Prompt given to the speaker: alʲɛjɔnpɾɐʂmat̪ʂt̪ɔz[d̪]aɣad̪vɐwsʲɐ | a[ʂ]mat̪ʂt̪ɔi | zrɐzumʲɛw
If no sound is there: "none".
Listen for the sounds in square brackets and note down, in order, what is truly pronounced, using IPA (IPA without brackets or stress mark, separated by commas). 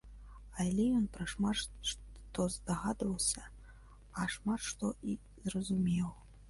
d̪, ʂ